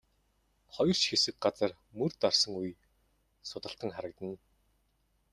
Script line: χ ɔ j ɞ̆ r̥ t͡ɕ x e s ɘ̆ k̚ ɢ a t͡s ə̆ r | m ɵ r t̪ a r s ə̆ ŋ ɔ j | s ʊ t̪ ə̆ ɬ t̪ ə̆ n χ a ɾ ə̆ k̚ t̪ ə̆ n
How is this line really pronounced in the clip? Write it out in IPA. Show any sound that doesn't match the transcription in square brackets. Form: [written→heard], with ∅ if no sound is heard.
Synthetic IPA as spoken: χ ɔ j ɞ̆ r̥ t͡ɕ x e s ɘ̆ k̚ ɢ a t͡s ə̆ r | m ɵ r t̪ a r s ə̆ ŋ [ɔ→u] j | s ʊ t̪ ə̆ ɬ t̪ ə̆ [n→ŋ] χ a ɾ ə̆ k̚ t̪ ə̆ n